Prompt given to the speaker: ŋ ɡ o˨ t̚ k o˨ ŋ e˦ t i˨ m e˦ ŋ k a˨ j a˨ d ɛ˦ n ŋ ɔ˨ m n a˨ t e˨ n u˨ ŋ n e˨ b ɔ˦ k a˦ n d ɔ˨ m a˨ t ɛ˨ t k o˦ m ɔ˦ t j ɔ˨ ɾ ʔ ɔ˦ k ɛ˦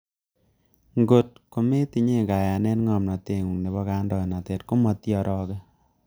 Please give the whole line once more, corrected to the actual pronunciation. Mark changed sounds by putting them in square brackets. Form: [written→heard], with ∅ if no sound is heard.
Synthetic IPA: ŋ ɡ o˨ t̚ k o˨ [ŋ→m] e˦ t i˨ [m→ɲ] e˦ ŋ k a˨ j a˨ [d→n] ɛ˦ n ŋ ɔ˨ m n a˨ t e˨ [n→ŋ] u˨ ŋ n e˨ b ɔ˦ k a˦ n d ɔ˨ [m→n] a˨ t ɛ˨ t k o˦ m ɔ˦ t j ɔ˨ ɾ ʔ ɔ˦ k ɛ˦